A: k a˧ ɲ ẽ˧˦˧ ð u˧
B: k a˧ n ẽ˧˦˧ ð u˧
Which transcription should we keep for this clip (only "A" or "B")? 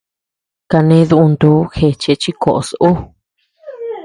B